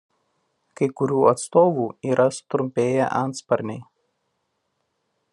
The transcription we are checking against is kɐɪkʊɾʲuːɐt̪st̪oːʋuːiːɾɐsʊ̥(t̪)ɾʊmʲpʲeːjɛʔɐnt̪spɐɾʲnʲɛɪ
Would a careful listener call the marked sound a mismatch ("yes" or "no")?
no